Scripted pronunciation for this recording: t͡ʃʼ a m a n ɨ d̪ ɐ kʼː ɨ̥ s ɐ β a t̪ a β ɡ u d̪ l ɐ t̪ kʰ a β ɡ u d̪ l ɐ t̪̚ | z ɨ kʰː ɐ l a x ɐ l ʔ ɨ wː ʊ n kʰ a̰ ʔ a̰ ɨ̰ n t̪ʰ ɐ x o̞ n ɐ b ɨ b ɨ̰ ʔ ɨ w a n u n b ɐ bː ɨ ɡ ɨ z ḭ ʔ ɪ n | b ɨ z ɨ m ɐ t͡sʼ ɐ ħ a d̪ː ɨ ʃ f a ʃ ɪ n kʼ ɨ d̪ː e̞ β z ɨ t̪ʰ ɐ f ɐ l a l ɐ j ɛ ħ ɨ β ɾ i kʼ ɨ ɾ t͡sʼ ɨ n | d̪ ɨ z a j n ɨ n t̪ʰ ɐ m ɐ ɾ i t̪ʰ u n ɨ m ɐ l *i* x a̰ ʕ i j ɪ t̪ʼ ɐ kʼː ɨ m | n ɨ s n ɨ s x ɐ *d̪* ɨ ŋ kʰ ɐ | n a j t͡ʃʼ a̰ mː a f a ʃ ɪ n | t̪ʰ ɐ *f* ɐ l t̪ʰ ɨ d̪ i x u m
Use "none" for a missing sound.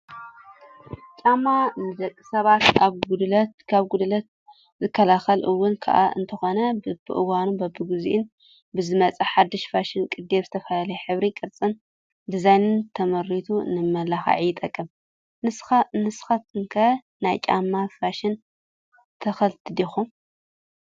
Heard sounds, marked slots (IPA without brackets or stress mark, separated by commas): a, t̪, x